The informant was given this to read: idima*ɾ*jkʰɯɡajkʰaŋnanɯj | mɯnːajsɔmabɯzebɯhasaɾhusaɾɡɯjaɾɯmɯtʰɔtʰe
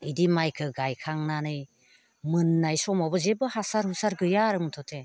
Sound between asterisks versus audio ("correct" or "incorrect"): incorrect